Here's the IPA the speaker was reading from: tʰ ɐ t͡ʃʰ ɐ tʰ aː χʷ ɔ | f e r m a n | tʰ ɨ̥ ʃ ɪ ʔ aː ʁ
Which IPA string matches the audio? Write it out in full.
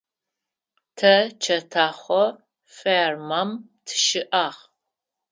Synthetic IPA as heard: tʰ ɐ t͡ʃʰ ɐ tʰ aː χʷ ɔ | f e r m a m | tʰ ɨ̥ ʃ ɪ ʔ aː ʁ

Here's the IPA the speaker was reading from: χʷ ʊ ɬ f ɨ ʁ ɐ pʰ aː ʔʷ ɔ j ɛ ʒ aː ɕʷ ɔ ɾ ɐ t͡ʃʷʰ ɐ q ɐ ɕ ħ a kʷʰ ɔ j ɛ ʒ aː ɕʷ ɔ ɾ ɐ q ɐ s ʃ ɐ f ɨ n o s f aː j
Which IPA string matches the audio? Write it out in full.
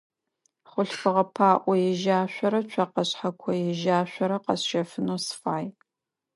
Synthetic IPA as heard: χʷ ʊ ɬ f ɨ ʁ ɐ pʰ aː ʔʷ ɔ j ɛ ʒ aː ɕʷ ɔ ɾ ɐ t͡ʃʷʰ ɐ q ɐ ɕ ħ a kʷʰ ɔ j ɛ ʒ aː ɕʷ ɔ ɾ ɐ q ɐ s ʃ ɐ f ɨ n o s f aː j

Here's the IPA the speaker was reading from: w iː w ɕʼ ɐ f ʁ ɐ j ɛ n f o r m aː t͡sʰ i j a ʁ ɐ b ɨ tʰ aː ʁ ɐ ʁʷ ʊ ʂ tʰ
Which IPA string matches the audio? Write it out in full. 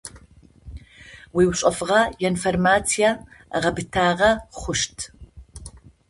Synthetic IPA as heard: w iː w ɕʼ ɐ f ʁ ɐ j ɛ n f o r m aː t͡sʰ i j a ʁ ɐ b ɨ tʰ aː ʁ ɐ χʷ ʊ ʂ tʰ

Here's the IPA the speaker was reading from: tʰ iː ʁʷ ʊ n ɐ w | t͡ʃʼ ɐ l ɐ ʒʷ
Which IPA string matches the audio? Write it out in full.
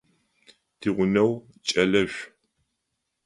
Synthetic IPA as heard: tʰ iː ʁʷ ʊ n ɐ w | t͡ʃʼ ɐ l ɐ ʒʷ

